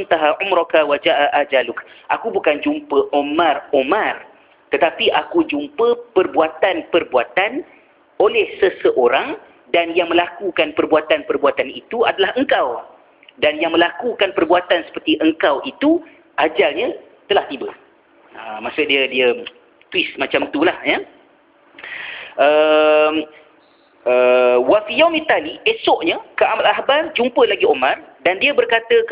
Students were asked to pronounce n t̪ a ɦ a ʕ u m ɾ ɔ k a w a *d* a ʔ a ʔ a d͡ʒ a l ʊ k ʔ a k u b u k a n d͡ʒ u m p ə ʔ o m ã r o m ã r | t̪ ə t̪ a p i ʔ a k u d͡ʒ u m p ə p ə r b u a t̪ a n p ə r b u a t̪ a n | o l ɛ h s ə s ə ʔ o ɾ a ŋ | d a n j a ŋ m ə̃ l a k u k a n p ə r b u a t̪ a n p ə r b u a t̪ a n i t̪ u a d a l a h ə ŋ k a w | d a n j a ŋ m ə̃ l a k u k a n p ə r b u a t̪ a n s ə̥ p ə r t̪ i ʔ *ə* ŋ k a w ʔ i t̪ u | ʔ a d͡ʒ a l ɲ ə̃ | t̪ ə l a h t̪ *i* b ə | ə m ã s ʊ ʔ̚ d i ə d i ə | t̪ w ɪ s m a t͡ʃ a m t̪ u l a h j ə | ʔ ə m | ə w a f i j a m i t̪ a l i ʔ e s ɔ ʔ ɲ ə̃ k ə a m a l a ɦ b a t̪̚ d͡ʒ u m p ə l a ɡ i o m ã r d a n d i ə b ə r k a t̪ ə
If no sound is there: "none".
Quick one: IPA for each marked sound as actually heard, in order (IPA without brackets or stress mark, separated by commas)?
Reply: d͡ʒ, ə, i